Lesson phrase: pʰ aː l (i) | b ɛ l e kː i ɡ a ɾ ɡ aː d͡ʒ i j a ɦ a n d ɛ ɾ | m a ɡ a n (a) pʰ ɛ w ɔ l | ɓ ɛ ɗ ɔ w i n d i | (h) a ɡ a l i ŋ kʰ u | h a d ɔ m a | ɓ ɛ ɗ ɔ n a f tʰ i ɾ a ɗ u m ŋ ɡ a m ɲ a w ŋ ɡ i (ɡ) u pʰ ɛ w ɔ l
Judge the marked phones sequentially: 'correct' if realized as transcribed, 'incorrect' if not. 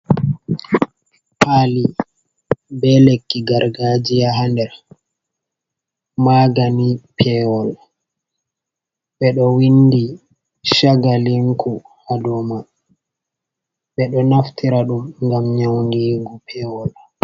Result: correct, incorrect, incorrect, correct

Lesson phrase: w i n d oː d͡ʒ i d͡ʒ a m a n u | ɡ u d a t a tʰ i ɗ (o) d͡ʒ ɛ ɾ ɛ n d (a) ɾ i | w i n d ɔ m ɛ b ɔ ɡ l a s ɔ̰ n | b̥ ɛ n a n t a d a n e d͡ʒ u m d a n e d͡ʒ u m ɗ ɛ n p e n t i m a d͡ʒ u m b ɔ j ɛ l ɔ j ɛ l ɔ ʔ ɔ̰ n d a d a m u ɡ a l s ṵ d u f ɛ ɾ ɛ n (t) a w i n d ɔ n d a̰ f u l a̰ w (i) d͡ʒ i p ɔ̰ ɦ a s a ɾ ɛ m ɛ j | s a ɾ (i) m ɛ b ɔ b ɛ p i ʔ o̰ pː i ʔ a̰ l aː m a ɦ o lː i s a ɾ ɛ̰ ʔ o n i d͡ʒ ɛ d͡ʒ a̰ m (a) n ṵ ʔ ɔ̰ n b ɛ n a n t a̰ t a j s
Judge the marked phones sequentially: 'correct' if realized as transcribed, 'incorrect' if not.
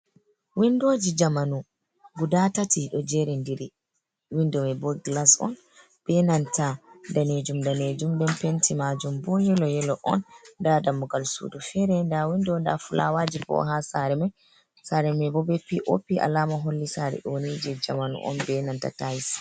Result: incorrect, incorrect, incorrect, incorrect, incorrect, correct

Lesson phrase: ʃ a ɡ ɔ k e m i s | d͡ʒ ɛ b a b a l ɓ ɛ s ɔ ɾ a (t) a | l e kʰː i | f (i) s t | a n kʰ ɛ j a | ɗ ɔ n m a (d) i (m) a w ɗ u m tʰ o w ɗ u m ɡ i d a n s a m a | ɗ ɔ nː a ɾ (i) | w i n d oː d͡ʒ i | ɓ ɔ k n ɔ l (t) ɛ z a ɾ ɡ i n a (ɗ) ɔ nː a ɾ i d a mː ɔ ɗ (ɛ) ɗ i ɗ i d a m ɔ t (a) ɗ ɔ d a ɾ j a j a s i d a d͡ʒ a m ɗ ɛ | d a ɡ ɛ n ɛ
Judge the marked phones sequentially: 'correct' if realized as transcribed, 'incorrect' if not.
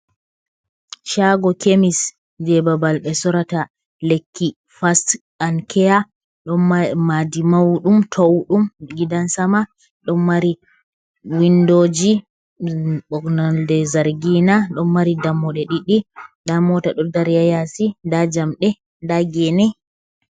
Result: correct, incorrect, correct, correct, correct, incorrect, correct, correct, correct

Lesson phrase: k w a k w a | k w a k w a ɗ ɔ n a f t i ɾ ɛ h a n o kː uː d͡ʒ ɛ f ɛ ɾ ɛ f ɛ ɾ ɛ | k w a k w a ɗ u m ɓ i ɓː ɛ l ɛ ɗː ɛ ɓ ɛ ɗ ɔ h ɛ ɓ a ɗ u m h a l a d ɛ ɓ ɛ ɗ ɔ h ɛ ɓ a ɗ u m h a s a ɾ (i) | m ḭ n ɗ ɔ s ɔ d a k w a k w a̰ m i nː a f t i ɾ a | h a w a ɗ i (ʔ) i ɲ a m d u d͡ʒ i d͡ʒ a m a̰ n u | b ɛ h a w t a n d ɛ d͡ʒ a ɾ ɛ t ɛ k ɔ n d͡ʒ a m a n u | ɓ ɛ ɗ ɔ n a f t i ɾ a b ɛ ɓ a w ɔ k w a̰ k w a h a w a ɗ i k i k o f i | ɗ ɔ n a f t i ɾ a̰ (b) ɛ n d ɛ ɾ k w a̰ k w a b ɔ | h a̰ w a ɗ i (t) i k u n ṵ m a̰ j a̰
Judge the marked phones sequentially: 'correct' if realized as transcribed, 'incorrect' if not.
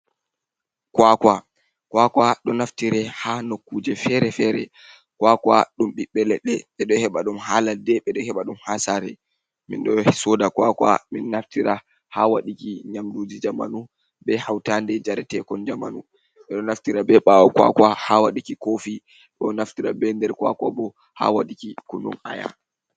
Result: incorrect, incorrect, correct, incorrect

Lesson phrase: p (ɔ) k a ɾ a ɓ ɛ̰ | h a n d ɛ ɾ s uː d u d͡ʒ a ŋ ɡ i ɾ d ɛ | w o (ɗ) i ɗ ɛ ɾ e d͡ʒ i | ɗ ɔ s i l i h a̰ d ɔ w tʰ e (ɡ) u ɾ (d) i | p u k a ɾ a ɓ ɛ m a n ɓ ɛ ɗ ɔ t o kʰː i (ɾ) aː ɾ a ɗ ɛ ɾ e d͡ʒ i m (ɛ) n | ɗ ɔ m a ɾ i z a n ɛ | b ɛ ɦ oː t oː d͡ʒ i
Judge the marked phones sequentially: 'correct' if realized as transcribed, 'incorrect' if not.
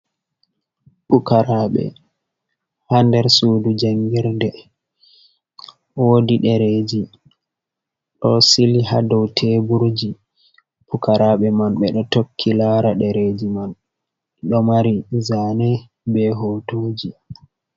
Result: incorrect, incorrect, incorrect, incorrect, incorrect, incorrect

